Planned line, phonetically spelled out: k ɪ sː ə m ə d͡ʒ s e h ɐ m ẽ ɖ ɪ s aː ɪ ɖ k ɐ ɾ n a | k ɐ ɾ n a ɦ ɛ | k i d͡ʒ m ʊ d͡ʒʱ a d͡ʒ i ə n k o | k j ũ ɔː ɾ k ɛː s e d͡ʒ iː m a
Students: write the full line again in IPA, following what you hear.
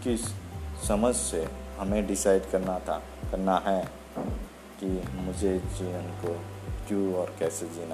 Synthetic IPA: k ɪ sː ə m ə d͡ʒ s e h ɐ m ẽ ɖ ɪ s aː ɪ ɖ k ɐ ɾ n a | k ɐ ɾ n a ɦ ɛ | k i m ʊ d͡ʒʱ e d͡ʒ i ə n k o | k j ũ ɔː ɾ k ɛː s e d͡ʒ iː n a